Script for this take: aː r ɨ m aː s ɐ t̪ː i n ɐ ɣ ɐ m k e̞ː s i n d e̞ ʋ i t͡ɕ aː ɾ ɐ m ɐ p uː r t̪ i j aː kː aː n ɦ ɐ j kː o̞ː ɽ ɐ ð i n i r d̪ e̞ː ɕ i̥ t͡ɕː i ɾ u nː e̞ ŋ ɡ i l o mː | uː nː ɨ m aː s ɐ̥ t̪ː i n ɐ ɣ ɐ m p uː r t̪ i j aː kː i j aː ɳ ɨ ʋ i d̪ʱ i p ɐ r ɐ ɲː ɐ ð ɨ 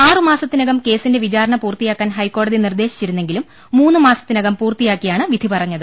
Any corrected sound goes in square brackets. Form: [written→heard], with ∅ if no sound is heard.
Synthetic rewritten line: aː r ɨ m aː s ɐ t̪ː i n ɐ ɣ ɐ m k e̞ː s i n d e̞ ʋ i t͡ɕ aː ɾ ɐ [m→ɳ] ɐ p uː r t̪ i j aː kː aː n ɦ ɐ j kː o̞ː ɽ ɐ ð i n i r d̪ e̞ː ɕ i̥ t͡ɕː i ɾ u nː e̞ ŋ ɡ i l [o→u] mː | uː nː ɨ m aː s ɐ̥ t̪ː i n ɐ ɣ ɐ m p uː r t̪ i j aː kː i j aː ɳ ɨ ʋ i d̪ʱ i p ɐ r ɐ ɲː ɐ ð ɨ